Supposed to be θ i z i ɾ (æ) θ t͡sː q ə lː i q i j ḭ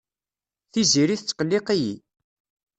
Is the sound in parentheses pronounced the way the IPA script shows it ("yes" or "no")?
no